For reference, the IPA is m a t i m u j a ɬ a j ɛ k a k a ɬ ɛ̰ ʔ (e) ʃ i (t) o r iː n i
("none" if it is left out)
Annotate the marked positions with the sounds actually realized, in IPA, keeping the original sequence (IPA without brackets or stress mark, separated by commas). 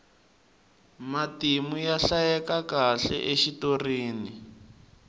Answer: e, t